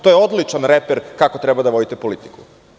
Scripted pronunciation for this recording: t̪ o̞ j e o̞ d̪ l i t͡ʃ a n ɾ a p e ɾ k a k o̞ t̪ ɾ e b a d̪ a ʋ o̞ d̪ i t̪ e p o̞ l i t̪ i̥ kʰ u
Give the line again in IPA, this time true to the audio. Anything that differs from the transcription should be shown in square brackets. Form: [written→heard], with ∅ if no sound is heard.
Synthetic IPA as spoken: t̪ o̞ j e o̞ d̪ l i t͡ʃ a n ɾ [a→e] p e ɾ k a k o̞ t̪ ɾ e b a d̪ a ʋ o̞ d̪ i t̪ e p o̞ l i t̪ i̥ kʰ u